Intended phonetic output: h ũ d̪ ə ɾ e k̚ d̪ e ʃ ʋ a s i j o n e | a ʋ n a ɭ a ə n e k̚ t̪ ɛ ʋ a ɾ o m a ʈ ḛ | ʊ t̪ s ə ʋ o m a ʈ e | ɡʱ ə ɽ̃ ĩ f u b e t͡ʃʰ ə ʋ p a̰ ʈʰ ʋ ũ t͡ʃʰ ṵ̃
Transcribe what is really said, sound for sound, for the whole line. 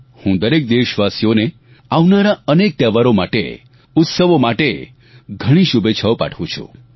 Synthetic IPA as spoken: h ũ d̪ ə ɾ e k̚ d̪ e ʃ ʋ a s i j o n e | a ʋ n a ɾ a ə n e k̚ t̪ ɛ ʋ a ɾ o m a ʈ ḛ | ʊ t̪ s ə ʋ o m a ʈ e | ɡʱ ə ɽ̃ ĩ ʃ u b e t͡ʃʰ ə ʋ p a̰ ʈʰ ʋ ũ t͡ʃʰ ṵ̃